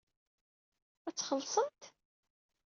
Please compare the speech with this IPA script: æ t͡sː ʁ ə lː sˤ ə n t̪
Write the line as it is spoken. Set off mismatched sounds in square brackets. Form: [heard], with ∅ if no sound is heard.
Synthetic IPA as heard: æ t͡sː [χ] ə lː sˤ ə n t̪